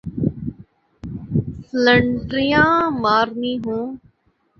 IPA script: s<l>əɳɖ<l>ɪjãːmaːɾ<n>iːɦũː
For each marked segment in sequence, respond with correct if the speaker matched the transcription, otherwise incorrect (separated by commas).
correct, incorrect, correct